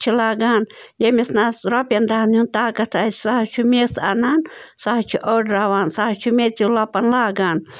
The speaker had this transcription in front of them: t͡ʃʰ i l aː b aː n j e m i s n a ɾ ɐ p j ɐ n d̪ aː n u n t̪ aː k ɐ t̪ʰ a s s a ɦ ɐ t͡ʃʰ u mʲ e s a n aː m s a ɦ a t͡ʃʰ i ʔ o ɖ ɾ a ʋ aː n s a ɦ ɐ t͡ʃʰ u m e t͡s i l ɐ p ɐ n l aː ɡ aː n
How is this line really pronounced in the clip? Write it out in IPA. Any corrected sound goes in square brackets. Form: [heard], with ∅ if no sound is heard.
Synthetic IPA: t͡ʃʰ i l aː [ɡ] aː n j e m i s n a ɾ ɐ p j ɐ n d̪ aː n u n t̪ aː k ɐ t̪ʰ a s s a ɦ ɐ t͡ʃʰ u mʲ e s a n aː [n] s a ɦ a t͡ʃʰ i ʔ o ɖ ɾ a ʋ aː n s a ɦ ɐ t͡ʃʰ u m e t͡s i l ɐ p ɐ n l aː ɡ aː n